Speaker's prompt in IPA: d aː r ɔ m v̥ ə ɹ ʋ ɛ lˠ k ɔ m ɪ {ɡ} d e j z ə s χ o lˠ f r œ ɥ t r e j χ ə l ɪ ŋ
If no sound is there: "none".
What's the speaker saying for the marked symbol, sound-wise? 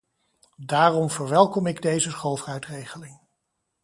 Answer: ɡ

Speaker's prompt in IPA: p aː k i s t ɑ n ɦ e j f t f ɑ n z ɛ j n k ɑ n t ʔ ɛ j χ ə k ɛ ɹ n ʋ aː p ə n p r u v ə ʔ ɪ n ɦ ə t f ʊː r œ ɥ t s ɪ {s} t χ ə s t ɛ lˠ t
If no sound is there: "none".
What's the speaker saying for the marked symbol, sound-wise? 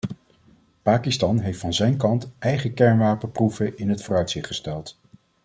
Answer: χ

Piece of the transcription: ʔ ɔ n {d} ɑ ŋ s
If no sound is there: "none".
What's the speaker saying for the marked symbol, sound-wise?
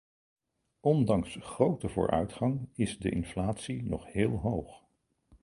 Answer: d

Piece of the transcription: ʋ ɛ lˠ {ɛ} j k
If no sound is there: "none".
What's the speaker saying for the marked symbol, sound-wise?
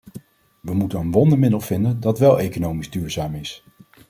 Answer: e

